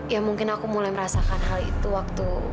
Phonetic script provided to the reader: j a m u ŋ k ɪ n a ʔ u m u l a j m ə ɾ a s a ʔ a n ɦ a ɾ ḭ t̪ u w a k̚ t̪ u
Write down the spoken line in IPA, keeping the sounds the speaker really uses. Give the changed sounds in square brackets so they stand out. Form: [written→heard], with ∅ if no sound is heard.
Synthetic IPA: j a m u ŋ k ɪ n a [ʔ→k] u m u l a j m ə ɾ a s a [ʔ→k] a n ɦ a [ɾ→l] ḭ t̪ u w a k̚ t̪ u